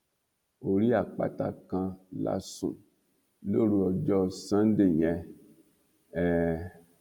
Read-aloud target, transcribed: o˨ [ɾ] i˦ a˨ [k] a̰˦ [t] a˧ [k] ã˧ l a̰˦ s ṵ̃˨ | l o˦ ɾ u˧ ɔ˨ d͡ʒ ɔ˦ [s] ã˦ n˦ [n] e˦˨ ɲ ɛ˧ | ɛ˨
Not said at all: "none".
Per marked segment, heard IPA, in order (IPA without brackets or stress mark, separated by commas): ɾ, k͡p, t, k, s, d